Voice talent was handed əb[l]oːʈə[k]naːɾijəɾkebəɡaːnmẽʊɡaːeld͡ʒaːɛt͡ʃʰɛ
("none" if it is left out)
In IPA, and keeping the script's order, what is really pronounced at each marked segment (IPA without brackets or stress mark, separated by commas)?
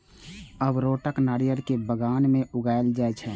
ɾ, k